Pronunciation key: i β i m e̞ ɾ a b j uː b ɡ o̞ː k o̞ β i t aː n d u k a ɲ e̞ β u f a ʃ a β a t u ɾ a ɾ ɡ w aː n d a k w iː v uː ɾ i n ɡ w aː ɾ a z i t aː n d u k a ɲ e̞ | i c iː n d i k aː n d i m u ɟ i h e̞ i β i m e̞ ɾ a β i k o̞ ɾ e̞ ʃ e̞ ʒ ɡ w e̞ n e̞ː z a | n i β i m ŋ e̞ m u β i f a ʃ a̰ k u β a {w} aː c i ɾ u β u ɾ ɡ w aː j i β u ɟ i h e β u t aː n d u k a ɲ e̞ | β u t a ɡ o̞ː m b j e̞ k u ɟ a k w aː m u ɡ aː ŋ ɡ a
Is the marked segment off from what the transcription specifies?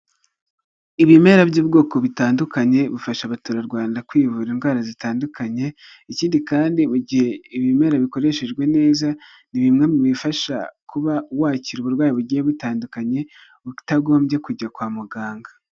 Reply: no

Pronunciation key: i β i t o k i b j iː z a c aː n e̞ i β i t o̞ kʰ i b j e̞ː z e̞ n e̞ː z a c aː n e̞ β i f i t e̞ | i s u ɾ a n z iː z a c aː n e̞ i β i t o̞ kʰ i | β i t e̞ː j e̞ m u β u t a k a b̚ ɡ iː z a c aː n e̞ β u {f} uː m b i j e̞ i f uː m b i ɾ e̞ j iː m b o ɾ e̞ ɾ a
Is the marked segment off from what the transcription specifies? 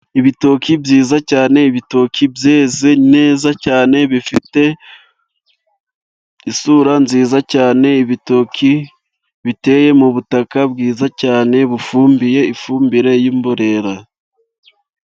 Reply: no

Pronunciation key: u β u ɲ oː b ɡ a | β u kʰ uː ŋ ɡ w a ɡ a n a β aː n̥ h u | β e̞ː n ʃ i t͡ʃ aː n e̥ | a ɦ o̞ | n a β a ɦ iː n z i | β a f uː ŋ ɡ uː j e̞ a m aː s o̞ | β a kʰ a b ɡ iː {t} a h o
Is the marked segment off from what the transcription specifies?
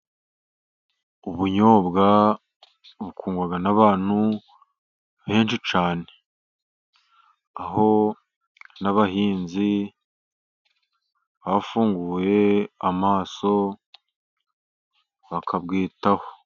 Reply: no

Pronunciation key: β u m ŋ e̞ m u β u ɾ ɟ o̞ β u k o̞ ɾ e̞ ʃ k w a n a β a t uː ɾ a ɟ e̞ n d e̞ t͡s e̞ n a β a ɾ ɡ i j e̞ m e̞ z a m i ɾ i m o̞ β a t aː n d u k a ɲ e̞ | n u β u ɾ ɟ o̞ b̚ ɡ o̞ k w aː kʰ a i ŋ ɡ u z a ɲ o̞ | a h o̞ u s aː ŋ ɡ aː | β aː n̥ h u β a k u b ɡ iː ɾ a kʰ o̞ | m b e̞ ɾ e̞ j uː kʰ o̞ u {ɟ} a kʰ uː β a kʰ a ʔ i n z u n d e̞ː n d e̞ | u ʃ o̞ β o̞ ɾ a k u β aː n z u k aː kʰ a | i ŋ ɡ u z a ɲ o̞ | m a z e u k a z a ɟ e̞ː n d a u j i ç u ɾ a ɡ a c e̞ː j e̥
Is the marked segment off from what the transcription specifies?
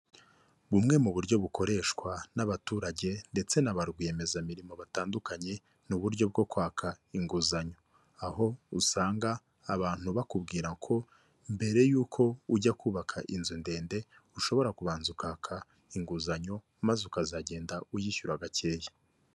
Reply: no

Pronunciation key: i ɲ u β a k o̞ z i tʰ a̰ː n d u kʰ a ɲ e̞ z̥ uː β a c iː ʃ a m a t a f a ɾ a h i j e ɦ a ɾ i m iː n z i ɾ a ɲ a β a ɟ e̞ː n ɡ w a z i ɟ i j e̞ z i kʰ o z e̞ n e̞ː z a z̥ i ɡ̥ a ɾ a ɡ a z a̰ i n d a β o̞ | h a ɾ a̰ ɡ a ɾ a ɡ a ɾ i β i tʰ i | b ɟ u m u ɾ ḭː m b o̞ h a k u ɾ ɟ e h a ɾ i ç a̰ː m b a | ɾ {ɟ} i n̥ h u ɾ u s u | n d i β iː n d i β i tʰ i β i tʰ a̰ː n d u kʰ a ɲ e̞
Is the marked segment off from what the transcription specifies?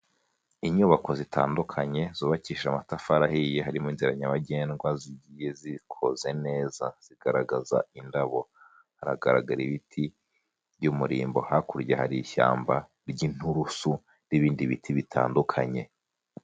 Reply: no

